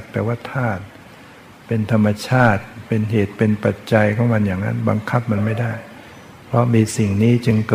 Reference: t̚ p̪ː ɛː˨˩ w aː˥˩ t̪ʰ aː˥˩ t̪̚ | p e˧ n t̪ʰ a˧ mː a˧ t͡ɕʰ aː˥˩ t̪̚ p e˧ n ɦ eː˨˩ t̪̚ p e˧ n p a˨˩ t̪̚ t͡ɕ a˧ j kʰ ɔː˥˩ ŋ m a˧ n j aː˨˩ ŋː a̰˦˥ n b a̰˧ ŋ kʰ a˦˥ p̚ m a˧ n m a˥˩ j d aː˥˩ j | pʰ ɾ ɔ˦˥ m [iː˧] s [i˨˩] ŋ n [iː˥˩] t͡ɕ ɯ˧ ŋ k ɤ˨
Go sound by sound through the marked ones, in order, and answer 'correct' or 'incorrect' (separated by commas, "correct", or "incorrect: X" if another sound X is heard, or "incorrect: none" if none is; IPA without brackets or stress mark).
correct, correct, incorrect: iː˦˥